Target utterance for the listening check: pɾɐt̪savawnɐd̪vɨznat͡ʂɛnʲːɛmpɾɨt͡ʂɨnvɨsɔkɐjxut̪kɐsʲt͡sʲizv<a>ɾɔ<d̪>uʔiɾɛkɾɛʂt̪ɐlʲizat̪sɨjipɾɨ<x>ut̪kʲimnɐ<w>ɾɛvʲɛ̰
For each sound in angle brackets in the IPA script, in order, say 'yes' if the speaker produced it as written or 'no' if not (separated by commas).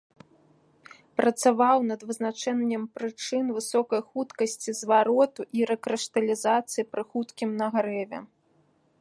yes, no, yes, no